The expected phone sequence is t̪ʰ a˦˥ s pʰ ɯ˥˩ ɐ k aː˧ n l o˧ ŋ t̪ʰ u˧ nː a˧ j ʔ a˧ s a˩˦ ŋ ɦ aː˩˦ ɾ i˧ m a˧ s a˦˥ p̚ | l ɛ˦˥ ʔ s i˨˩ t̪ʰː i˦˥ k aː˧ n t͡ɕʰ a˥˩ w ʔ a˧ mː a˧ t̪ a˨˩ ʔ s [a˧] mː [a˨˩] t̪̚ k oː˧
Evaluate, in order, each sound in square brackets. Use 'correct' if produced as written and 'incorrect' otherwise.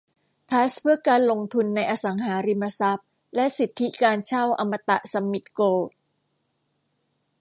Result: correct, incorrect: i˨˩

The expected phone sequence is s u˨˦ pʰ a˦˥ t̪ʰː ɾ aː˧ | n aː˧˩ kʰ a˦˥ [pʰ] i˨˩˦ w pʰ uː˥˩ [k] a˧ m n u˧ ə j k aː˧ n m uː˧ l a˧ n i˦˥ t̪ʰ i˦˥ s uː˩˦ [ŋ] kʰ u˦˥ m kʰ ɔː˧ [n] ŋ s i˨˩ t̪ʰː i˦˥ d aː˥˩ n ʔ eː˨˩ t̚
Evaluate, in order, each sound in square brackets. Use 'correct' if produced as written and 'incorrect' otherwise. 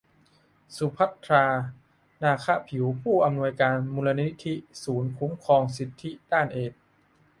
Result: correct, incorrect: ʔ, incorrect: n, incorrect: none

